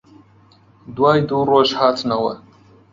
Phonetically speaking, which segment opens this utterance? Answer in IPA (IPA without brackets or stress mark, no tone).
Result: d